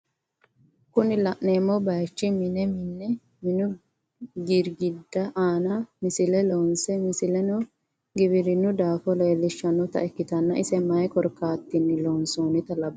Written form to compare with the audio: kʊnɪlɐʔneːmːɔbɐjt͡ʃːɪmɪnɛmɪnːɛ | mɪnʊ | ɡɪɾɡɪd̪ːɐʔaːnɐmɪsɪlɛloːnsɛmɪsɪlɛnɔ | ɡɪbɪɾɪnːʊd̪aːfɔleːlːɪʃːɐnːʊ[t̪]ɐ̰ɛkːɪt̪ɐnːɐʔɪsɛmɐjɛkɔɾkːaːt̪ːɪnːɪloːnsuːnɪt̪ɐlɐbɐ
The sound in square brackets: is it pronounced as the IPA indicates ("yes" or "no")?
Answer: yes